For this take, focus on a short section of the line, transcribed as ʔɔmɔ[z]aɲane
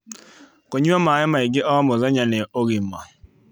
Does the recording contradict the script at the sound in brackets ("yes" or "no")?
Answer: no